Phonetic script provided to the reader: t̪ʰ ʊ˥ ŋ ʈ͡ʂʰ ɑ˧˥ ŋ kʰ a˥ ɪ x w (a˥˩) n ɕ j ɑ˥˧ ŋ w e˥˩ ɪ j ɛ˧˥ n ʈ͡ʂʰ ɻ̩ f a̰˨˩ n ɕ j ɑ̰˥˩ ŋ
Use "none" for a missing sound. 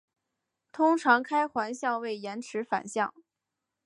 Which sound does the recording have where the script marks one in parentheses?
a˧˥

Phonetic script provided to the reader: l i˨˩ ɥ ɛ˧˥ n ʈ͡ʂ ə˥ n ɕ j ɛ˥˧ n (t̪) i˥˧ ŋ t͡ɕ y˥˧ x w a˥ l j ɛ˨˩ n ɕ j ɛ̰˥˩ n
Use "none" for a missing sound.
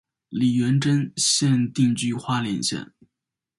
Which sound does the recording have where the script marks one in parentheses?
t̪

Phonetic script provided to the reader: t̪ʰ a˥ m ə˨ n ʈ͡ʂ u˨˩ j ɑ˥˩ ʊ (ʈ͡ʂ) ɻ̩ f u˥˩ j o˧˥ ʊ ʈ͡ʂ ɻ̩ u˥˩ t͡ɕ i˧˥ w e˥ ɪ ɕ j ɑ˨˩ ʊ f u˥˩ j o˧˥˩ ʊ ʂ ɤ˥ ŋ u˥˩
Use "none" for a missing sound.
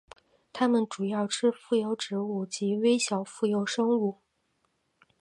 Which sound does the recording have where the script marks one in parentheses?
ʈ͡ʂʰ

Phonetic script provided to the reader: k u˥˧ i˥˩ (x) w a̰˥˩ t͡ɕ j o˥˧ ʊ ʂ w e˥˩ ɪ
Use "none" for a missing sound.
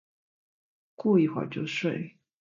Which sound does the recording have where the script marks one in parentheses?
x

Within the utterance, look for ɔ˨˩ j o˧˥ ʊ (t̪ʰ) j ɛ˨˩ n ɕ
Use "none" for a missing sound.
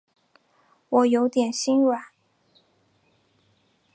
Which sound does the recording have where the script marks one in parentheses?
t̪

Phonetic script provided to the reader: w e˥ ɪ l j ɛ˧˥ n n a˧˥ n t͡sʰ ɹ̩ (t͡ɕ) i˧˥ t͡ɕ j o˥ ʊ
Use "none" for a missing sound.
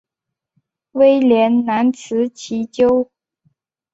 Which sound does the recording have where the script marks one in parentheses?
t͡ɕʰ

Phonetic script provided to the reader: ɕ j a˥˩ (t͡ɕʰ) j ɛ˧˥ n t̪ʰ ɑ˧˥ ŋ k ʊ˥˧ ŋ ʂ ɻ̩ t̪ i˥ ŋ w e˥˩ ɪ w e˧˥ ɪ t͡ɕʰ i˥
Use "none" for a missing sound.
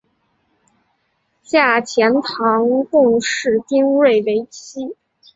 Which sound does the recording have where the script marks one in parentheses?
t͡ɕʰ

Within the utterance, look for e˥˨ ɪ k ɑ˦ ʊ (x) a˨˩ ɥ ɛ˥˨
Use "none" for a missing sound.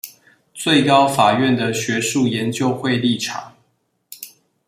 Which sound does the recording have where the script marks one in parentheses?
f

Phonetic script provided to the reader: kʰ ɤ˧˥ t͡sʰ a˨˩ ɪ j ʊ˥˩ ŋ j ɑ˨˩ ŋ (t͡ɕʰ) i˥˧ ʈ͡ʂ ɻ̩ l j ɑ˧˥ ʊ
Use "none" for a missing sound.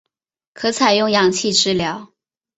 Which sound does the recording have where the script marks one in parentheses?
t͡ɕʰ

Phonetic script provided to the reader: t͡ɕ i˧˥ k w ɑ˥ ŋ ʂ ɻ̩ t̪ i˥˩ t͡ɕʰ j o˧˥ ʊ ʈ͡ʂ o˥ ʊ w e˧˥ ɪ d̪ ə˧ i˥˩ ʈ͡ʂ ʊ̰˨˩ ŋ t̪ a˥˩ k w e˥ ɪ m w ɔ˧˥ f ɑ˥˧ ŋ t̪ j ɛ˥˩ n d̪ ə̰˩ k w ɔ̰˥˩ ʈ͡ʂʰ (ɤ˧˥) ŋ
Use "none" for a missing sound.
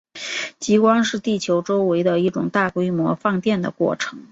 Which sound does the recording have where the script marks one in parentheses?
ɤ˧˥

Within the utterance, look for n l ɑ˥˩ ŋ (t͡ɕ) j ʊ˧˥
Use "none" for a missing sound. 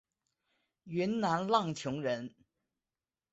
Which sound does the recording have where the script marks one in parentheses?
t͡ɕʰ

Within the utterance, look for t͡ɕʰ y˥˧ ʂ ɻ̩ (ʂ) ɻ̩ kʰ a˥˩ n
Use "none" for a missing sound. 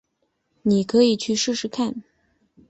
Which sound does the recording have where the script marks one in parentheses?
ʂ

